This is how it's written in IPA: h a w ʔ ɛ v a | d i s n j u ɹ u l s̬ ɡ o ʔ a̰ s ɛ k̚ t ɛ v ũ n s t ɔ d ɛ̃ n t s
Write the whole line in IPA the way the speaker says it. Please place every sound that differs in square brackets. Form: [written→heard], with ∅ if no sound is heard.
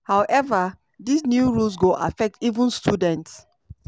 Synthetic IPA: h a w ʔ ɛ v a | d i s n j u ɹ u l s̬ ɡ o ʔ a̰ [s→f] ɛ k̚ t [ɛ→i] v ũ n s t [ɔ→u] d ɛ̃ n t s